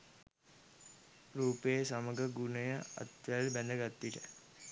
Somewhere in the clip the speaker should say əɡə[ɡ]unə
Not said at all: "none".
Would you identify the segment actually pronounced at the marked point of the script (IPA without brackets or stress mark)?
ɡ